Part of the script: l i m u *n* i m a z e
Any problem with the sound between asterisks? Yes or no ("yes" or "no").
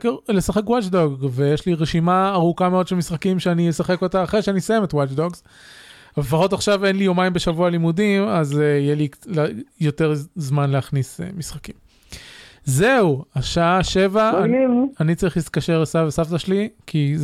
yes